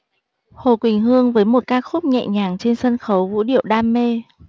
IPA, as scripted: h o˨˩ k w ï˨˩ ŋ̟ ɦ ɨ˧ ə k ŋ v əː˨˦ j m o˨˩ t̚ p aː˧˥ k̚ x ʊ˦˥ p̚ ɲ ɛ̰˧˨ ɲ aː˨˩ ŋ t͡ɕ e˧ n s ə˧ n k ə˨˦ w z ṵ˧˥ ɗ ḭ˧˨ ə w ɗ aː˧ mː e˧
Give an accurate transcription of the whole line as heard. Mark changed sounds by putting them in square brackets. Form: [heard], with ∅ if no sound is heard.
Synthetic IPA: h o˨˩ k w ï˨˩ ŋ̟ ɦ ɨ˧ ə [∅] ŋ v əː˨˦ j m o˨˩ t̚ [k] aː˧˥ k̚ x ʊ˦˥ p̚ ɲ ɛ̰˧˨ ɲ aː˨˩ ŋ t͡ɕ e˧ n s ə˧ n [x] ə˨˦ w [v] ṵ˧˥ ɗ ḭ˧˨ ə w ɗ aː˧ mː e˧